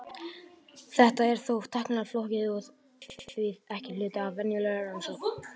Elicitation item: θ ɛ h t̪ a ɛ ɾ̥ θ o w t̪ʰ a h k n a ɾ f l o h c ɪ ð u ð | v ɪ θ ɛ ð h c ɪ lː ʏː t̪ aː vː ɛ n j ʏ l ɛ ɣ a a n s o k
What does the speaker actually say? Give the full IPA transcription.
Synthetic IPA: θ ɛ h t̪ a ɛ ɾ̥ θ o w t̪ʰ a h k n a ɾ f l o h c ɪ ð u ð | v ɪ ð ɛ h c ɪ l ʏː t̪ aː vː ɛ n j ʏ l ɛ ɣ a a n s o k

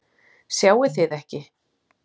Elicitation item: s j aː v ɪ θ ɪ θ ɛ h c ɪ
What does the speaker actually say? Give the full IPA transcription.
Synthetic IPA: s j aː w ɪ θ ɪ ð ɛ h c ɪ

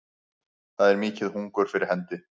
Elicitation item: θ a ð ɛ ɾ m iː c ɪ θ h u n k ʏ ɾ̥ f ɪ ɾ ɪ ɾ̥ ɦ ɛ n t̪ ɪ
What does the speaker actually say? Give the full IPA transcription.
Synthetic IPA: θ a ð ɛ ɾ m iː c ɪ ð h u ŋ k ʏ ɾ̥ f ɪ ɾ ɪ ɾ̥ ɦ ɛ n t̪ ɪ

